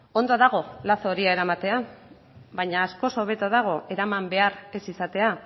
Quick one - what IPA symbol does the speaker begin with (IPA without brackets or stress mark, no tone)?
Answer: o̞